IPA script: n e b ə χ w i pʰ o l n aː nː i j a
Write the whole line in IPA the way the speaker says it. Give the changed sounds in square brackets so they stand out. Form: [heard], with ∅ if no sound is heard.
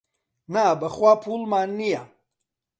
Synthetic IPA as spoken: n [a] b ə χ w [a] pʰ [u] l [m] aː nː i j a